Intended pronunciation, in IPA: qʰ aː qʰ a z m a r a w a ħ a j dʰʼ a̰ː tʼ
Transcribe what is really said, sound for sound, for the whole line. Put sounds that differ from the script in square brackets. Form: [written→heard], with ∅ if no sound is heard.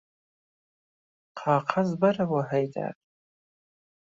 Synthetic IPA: qʰ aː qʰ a z [m→b] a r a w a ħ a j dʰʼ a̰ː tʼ